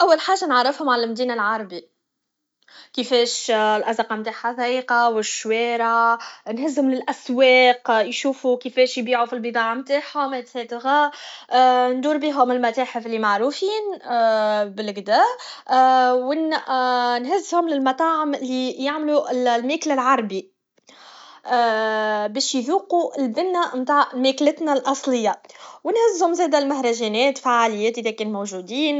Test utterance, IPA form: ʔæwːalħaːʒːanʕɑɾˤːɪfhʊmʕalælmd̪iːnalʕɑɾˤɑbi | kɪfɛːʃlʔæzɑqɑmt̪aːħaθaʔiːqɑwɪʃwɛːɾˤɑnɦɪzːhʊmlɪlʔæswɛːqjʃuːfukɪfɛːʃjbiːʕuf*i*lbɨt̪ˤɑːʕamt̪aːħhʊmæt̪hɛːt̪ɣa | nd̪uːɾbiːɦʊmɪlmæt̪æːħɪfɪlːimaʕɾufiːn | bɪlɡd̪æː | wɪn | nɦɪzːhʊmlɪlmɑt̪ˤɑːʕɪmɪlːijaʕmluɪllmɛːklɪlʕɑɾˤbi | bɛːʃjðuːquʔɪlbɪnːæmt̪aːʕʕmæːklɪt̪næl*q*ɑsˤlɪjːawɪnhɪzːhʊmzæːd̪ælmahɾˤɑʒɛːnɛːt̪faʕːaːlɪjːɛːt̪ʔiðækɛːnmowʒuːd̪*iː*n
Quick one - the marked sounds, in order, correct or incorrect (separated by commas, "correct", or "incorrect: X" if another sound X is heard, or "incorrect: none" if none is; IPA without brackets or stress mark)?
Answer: correct, incorrect: ʔ, correct